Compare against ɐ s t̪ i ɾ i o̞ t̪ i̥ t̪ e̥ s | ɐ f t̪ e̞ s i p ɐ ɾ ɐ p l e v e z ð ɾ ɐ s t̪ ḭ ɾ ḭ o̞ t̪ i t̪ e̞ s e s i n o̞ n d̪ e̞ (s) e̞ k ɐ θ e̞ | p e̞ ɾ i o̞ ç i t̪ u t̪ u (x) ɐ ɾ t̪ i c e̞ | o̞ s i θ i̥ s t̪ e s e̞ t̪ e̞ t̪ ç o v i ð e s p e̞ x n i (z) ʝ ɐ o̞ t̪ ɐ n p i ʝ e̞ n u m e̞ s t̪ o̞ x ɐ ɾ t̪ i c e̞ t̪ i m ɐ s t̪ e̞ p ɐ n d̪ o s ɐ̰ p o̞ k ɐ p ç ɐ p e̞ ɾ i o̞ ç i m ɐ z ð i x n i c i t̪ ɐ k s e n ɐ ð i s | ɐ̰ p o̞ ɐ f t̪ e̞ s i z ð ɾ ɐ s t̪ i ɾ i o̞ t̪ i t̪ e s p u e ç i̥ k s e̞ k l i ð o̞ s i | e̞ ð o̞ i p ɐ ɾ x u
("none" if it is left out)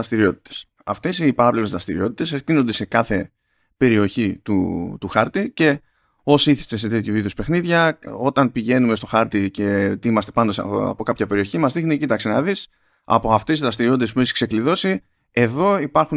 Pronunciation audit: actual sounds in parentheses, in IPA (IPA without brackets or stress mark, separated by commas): s, x, ð